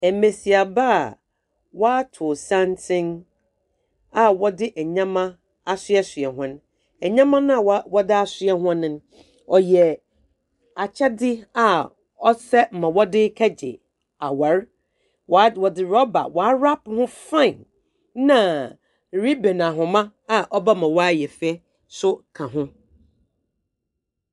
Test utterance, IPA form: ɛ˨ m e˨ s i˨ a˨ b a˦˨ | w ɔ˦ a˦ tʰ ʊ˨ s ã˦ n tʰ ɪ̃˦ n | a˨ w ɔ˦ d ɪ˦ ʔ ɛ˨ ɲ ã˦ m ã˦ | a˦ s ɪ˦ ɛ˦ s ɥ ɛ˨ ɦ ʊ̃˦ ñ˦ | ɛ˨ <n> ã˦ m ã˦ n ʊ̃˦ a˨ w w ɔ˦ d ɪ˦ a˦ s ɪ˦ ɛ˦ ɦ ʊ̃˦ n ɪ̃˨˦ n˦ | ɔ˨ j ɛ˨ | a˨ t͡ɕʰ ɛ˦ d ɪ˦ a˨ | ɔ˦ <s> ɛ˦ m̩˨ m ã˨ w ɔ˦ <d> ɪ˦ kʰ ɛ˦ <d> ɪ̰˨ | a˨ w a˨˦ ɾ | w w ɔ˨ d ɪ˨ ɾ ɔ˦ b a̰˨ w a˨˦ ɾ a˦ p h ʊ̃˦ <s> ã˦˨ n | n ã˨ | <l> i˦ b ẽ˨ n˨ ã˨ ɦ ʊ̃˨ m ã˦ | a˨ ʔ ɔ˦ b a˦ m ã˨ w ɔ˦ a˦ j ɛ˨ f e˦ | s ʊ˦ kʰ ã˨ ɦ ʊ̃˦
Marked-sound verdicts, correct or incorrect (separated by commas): incorrect, correct, correct, incorrect, incorrect, incorrect